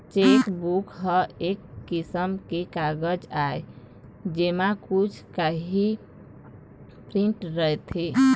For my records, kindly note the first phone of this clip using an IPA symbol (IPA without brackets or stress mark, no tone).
t͡ʃ